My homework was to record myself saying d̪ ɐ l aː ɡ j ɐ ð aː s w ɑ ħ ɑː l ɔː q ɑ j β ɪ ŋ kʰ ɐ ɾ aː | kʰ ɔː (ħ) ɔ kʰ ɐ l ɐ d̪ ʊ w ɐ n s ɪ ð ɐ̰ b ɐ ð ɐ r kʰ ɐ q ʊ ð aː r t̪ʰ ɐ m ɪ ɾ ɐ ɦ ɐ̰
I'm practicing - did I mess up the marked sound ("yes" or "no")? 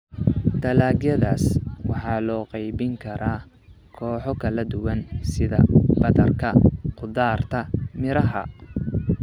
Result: no